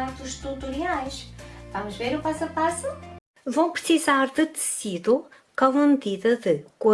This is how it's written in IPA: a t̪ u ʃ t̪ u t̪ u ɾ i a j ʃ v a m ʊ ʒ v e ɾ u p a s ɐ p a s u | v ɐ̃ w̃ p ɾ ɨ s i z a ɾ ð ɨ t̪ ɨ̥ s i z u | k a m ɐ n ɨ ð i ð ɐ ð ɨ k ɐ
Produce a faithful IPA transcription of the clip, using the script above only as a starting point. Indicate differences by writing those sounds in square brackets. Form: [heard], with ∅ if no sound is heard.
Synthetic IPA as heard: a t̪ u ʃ t̪ u t̪ u ɾ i a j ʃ v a m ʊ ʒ v e ɾ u p a s ɐ p a s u | v ɐ̃ w̃ p ɾ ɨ s i z a ɾ ð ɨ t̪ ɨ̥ s i [ð] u | k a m ɐ [m] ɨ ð i ð ɐ ð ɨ k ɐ